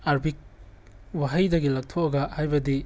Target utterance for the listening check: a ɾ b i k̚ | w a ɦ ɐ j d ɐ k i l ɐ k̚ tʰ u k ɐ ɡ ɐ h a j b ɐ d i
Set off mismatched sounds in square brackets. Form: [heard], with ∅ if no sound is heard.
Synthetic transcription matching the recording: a ɾ b i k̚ | w a ɦ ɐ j d ɐ [ɡ] i l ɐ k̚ tʰ [o] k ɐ ɡ ɐ h a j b ɐ d i